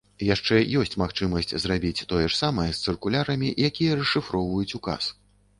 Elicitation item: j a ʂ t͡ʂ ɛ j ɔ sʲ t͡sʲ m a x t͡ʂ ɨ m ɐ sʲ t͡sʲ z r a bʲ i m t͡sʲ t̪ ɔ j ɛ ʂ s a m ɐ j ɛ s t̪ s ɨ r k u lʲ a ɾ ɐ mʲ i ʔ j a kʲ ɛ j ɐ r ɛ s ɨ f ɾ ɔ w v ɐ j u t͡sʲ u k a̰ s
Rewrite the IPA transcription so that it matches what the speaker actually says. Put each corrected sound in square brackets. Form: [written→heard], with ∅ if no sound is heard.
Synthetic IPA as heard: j a ʂ t͡ʂ ɛ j ɔ sʲ t͡sʲ m a x t͡ʂ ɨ m ɐ sʲ t͡sʲ z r a bʲ i [m→∅] t͡sʲ t̪ ɔ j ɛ ʂ s a m ɐ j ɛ s t̪ s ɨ r k u lʲ a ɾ ɐ mʲ i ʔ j a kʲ [ɛ→i] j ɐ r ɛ [s→ʂ] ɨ f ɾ ɔ w v ɐ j u t͡sʲ u k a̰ s